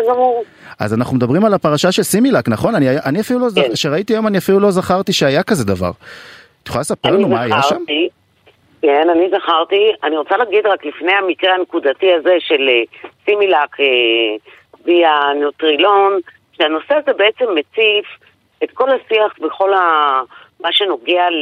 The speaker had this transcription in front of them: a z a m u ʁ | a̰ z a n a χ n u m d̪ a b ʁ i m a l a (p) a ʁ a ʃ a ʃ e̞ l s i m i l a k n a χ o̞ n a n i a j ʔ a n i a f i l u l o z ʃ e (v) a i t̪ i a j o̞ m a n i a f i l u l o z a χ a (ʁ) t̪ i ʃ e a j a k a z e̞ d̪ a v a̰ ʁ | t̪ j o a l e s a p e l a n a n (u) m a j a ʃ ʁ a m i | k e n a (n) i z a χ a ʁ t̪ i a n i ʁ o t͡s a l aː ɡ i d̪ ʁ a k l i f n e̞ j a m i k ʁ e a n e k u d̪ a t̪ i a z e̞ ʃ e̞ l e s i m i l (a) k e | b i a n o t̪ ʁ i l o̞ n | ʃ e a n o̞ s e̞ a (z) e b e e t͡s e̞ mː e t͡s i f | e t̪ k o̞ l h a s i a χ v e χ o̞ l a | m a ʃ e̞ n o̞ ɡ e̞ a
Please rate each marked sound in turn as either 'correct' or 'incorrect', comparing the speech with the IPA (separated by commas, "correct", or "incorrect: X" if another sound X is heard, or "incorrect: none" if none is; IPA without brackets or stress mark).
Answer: correct, incorrect: ʁ, correct, correct, correct, correct, correct